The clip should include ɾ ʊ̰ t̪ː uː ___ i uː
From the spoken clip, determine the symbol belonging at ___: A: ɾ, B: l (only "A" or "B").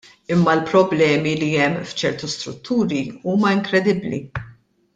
A